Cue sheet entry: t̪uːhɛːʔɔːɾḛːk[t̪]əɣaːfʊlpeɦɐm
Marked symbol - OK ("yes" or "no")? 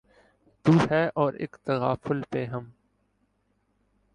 yes